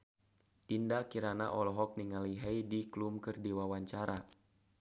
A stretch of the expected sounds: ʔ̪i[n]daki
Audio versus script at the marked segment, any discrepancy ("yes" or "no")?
no